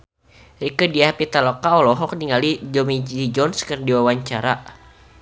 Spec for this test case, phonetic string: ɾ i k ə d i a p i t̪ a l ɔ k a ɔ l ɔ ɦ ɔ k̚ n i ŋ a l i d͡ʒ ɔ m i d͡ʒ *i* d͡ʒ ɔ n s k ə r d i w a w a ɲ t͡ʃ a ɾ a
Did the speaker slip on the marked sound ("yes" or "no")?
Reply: no